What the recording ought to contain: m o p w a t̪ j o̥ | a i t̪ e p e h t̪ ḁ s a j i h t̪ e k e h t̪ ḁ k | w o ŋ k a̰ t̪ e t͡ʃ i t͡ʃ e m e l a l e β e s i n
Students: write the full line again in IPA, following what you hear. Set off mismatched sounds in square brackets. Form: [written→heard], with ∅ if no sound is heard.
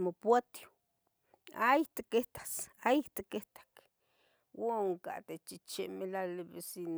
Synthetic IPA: m o p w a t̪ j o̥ | a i t̪ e [p→k] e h t̪ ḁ s a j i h t̪ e k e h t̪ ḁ k | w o ŋ k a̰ t̪ e t͡ʃ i t͡ʃ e m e l a l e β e s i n